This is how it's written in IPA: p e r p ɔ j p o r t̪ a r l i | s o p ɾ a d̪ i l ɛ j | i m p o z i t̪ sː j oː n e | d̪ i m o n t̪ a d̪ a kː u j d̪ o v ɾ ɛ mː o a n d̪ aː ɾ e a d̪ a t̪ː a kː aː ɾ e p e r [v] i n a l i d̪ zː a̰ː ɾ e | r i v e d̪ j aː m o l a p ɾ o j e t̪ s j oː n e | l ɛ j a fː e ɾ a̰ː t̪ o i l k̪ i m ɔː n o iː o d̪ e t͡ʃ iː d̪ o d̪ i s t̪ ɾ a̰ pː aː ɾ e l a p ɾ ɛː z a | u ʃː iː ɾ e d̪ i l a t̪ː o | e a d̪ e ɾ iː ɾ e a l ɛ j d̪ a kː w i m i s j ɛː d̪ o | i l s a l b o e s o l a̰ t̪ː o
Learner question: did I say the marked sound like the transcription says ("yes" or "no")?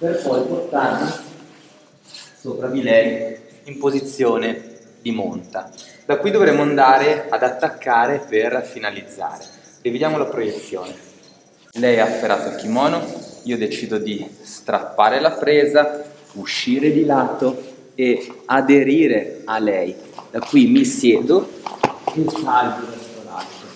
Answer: no